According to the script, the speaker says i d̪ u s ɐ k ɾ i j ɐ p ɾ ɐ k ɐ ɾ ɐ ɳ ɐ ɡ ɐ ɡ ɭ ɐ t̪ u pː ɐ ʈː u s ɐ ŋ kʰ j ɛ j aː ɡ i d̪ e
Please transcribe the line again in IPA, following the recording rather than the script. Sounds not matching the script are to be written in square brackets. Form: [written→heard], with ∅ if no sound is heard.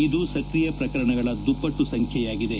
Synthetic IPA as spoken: i d̪ u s ɐ k ɾ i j ɐ p ɾ ɐ k ɐ ɾ ɐ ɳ ɐ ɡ ɐ [ɡ→∅] ɭ ɐ [t̪→d̪] u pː ɐ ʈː u s ɐ ŋ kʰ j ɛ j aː ɡ i d̪ e